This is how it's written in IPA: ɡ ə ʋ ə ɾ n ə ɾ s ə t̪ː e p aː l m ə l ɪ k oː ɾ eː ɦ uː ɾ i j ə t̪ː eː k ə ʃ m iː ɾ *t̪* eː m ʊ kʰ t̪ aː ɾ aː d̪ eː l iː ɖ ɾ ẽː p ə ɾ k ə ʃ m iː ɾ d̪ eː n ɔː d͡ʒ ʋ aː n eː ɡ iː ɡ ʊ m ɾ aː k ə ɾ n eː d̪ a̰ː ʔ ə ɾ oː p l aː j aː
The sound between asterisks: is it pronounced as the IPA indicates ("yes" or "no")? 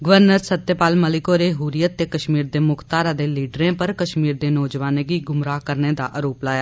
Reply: no